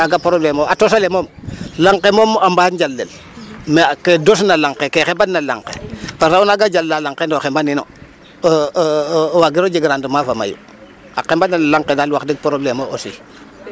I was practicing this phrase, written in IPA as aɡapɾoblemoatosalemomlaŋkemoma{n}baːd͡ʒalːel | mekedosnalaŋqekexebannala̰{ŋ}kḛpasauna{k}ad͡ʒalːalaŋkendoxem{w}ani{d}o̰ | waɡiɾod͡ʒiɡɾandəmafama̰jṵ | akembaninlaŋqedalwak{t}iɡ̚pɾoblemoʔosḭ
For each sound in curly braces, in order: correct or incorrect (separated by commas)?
incorrect, correct, incorrect, incorrect, incorrect, incorrect